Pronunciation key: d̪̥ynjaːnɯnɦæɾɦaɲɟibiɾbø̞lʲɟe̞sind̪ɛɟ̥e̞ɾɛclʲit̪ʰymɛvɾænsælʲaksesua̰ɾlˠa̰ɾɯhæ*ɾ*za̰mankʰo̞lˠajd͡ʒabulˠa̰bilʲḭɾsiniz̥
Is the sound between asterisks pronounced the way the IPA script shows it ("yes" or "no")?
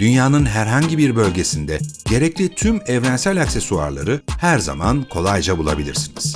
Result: yes